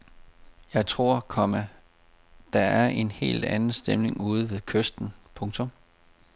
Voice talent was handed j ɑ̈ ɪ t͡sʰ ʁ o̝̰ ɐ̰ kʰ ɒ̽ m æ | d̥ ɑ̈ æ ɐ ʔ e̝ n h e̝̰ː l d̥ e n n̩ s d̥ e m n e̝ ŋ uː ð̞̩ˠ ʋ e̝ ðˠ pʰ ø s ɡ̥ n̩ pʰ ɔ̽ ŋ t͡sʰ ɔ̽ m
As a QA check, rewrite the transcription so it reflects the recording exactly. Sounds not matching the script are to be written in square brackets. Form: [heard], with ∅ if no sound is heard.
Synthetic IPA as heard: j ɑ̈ ɪ t͡sʰ ʁ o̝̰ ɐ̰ kʰ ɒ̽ m æ | d̥ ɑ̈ æ ɐ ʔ e̝ n h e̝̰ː l d̥ [æ] n n̩ s d̥ e m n e̝ ŋ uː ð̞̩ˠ ʋ e̝ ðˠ [kʰ] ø s [d̥] n̩ pʰ ɔ̽ ŋ t͡sʰ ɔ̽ m

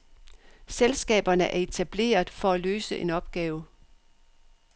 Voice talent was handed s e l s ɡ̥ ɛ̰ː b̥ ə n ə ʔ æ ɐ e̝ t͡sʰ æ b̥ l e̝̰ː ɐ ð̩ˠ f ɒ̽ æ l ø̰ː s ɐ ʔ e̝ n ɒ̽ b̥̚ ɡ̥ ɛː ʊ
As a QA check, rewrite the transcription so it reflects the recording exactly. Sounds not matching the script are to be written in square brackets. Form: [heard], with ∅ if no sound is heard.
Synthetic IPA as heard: s e l s ɡ̥ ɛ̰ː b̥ [ɐ] n ə ʔ æ ɐ e̝ t͡sʰ æ b̥ l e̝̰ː ɐ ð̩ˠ f ɒ̽ æ l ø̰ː s [ə] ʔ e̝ n ɒ̽ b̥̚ ɡ̥ ɛː ʊ

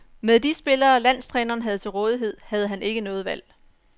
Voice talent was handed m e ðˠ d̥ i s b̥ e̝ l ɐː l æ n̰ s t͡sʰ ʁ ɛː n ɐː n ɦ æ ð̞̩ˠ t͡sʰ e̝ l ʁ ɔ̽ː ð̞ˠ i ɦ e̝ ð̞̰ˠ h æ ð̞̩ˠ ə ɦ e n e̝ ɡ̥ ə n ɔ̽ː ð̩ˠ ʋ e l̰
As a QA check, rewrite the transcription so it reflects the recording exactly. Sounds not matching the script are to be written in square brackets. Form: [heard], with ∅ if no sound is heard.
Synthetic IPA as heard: m e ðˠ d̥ i s b̥ e̝ l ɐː l æ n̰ s t͡sʰ ʁ ɛː n ɐː n ɦ æ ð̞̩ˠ t͡sʰ e̝ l ʁ ɔ̽ː ð̞ˠ i ɦ e̝ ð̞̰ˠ h æ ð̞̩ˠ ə ɦ [æ] n e̝ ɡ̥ ə n ɔ̽ː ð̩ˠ ʋ [æ] l̰

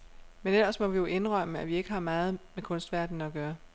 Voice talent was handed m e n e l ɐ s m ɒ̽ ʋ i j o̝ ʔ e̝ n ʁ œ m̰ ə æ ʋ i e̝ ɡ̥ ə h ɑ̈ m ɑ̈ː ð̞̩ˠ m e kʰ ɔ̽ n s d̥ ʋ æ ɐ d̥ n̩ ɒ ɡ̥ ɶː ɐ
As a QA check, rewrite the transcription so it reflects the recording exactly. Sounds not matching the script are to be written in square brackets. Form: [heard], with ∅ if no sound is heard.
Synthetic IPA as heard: m e n e l ɐ s m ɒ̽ ʋ i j o̝ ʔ e̝ n ʁ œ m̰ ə æ ʋ i e̝ ɡ̥ ə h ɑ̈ m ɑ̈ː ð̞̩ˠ m e kʰ ɔ̽ n s d̥ ʋ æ ɐ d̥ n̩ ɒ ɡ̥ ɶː ɐ

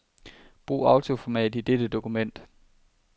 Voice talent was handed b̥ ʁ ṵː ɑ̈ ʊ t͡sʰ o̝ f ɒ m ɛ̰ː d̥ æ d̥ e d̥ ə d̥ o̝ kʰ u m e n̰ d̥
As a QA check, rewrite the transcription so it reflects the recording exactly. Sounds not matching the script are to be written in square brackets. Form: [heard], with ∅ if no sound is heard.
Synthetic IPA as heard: b̥ ʁ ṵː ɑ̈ ʊ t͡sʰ o̝ f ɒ m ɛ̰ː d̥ [i] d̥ e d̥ ə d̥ o̝ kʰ u m e n̰ d̥

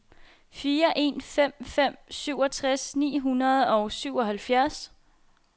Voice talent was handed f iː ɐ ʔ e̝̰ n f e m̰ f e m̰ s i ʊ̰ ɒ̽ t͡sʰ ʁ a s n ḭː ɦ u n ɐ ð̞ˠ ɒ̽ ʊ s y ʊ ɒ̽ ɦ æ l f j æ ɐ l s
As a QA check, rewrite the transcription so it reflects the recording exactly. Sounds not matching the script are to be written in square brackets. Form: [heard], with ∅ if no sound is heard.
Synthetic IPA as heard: f iː ɐ ʔ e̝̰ n f e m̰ f e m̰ s [y] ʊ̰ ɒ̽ t͡sʰ ʁ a s n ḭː ɦ u n ɐ ð̞ˠ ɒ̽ ʊ s y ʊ ɒ̽ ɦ æ l f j æ ɐ [∅] s

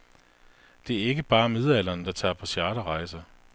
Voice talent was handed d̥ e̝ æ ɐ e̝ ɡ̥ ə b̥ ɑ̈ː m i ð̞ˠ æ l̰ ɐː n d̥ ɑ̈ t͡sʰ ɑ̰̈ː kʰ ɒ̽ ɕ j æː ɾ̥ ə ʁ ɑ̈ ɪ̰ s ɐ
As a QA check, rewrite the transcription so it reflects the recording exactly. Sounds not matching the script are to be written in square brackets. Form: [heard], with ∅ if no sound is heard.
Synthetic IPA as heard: d̥ e̝ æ ɐ e̝ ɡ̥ ə b̥ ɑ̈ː m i ð̞ˠ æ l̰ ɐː n d̥ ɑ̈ t͡sʰ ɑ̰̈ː [pʰ] ɒ̽ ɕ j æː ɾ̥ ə ʁ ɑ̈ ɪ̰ s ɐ

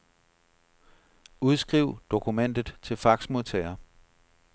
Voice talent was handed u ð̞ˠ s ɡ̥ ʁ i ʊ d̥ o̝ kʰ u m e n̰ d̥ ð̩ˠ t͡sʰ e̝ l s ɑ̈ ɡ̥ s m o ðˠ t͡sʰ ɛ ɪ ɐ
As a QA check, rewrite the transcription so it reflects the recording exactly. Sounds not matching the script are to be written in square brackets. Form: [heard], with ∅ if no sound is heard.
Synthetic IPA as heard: u ð̞ˠ s ɡ̥ ʁ i ʊ d̥ o̝ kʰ u m e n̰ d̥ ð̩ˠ t͡sʰ e̝ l [f] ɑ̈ ɡ̥ s m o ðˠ t͡sʰ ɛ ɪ ɐ

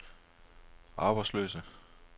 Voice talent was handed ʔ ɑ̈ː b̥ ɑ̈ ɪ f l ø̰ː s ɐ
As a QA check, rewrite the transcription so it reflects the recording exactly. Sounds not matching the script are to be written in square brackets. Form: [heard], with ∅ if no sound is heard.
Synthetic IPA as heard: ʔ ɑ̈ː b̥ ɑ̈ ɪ [s] l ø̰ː s [ə]

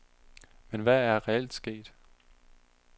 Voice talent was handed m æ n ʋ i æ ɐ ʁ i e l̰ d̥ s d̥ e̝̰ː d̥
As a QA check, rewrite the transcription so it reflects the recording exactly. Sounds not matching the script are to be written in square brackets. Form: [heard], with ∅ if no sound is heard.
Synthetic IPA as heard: m [e] n ʋ [æ] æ ɐ ʁ [ɛ] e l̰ d̥ s [ɡ̥] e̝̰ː d̥

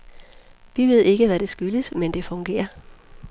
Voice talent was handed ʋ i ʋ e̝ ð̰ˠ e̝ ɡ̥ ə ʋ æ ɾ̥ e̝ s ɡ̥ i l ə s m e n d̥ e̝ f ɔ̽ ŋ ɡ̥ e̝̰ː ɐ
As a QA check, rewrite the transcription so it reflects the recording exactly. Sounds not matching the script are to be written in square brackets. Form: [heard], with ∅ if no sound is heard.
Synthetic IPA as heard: ʋ i ʋ e̝ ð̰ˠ e̝ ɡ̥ ə ʋ æ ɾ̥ e̝ s ɡ̥ [y] l ə s m e n d̥ e̝ f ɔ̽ ŋ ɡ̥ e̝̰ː ɐ

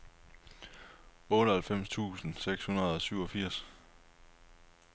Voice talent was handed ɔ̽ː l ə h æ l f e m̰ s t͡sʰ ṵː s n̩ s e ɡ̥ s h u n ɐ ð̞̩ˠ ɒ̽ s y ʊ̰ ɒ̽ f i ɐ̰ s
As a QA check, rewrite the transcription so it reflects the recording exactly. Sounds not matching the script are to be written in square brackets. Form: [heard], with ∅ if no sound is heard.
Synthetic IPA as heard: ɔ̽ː [ɾ] ə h æ l f e m̰ s t͡sʰ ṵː s n̩ s e ɡ̥ s h u n ɐ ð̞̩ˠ ɒ̽ s y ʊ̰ ɒ̽ f i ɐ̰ s

